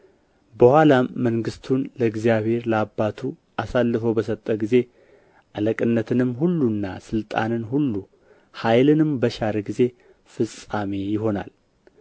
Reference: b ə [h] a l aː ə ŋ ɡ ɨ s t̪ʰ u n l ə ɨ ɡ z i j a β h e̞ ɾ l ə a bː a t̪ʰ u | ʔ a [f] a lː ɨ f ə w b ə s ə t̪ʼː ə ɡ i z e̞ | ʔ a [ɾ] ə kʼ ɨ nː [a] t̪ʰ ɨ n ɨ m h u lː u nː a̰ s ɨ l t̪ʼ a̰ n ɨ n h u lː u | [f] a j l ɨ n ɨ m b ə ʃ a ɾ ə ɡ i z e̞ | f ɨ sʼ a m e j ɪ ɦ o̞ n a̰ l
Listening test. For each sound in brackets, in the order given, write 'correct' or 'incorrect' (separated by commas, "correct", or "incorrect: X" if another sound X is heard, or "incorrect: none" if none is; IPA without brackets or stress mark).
correct, incorrect: s, incorrect: l, incorrect: ə, incorrect: h